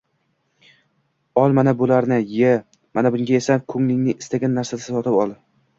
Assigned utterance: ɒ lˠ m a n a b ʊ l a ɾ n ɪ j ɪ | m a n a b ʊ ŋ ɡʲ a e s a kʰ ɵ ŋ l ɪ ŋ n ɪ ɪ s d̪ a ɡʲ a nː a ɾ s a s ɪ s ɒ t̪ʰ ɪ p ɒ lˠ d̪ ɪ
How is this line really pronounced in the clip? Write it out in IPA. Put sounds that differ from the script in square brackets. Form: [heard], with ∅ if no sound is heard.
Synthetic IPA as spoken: ɒ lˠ m a n a b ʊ l a ɾ n ɪ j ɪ | m a n a b ʊ ŋ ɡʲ a e s a kʰ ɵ ŋ l ɪ ŋ n ɪ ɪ s [t̪] a ɡʲ a nː a ɾ s a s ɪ s ɒ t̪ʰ ɪ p ɒ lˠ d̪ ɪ